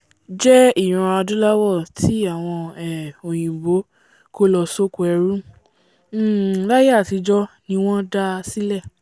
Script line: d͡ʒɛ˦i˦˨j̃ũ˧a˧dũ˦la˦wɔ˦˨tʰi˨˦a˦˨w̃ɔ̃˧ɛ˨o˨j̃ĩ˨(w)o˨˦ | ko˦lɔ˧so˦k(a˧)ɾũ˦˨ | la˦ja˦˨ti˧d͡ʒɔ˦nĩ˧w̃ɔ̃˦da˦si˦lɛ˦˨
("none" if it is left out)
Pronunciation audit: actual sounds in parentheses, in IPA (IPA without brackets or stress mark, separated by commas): b, ɛ˧